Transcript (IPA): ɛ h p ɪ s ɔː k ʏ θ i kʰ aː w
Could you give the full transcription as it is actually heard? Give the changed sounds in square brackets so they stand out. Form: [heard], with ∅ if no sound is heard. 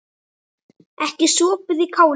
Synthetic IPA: ɛ h [c] ɪ s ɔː [p] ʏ [ð] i kʰ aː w